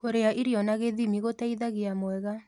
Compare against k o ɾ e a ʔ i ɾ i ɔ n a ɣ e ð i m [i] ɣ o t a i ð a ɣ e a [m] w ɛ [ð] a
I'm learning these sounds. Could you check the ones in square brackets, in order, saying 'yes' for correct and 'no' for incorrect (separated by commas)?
yes, yes, no